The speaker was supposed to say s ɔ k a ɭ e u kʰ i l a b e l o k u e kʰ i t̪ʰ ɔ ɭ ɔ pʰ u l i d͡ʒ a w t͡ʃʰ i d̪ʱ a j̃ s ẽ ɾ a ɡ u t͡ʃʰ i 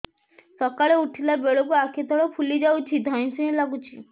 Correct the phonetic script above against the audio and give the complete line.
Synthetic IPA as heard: s ɔ k a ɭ e u ʈʰ i l a b e ɭ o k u a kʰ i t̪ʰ ɔ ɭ ɔ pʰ u l i d͡ʒ a w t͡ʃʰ i d̪ʱ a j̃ s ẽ l a ɡ u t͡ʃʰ i